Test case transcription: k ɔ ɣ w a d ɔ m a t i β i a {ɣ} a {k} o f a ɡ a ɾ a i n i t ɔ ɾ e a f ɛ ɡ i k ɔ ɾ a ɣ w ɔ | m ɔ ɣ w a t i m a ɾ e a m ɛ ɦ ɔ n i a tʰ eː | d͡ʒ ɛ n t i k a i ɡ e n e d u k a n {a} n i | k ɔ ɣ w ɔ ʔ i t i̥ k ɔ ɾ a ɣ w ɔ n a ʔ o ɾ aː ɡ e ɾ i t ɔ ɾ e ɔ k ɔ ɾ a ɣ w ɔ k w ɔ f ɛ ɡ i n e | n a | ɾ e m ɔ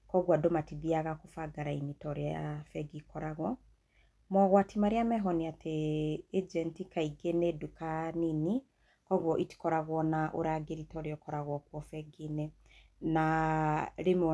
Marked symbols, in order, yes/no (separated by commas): yes, yes, no